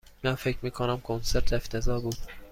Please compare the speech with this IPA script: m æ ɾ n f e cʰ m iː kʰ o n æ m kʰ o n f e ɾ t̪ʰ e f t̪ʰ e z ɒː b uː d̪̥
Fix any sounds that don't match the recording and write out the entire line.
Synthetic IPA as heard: m æ n f e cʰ m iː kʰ o n æ m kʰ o n s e ɾ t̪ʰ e f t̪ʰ e z ɒː b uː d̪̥